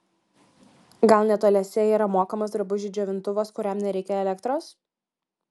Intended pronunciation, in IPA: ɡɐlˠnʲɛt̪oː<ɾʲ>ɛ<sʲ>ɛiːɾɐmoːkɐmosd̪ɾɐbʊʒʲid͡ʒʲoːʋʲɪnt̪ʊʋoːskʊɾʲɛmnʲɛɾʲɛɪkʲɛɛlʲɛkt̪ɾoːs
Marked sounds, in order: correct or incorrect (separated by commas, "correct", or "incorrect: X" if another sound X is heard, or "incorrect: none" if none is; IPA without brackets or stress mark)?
incorrect: lʲ, correct